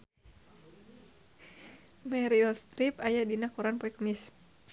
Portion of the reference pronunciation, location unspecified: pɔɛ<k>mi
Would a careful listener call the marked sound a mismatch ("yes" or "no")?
no